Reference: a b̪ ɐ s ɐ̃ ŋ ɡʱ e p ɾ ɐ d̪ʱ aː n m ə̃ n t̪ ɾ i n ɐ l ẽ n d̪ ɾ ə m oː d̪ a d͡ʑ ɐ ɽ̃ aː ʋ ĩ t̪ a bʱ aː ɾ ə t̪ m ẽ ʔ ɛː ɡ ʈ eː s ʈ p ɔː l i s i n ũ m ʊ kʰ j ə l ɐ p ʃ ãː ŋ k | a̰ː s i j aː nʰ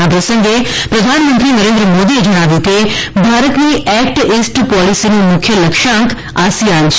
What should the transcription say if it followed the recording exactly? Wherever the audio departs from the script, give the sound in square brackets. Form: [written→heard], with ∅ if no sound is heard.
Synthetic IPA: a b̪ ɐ s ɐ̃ ŋ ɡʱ e p ɾ ɐ d̪ʱ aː n m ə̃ n t̪ ɾ i n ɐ [l→ɾ] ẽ n d̪ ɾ ə m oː d̪ [a→i] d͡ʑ ɐ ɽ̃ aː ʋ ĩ t̪ [a→e] bʱ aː ɾ ə t̪ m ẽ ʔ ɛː [ɡ→k] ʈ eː s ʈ p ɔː l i s i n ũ m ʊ kʰ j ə l ɐ [p→k] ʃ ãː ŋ k | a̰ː s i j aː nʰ

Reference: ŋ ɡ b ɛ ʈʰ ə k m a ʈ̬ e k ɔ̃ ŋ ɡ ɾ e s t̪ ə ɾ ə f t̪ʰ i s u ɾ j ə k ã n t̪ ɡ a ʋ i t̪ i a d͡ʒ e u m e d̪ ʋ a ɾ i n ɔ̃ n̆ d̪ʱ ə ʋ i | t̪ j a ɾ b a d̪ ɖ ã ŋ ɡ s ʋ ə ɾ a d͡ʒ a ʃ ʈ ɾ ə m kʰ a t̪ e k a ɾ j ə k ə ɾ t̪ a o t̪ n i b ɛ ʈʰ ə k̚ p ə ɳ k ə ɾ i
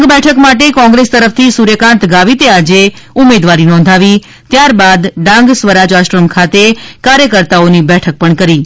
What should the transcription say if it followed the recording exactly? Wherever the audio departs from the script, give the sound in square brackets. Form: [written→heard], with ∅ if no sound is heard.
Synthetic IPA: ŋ ɡ b ɛ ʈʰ ə k m a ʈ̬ e k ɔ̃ ŋ ɡ ɾ e s t̪ ə ɾ ə f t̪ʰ i s u ɾ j ə k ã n t̪ ɡ a ʋ i t̪ [i→e] a d͡ʒ e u m e d̪ ʋ a ɾ i n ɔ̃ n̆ d̪ʱ [ə→a] ʋ i | t̪ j a ɾ b a d̪ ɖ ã ŋ ɡ s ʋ ə ɾ a d͡ʒ a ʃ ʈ ɾ ə m kʰ a t̪ e k a ɾ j ə k ə ɾ t̪ a o [t̪→∅] n i b ɛ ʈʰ ə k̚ p ə ɳ k ə ɾ i

